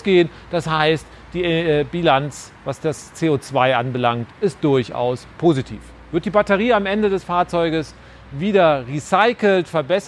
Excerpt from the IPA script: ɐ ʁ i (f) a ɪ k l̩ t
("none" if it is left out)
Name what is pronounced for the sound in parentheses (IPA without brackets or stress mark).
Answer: s